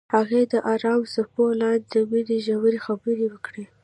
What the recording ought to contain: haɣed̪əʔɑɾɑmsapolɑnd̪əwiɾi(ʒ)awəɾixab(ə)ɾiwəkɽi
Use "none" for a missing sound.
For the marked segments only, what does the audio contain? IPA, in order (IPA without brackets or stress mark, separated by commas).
ʒ, ə